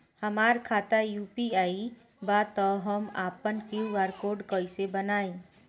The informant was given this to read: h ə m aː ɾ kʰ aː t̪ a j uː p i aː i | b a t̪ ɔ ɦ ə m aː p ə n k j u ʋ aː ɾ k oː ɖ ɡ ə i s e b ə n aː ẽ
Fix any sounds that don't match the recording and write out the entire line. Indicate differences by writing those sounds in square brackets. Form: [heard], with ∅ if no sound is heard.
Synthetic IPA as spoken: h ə m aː ɾ kʰ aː t̪ a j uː p i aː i | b a t̪ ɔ ɦ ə m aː p ə n k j u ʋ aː ɾ k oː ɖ [k] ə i s e b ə n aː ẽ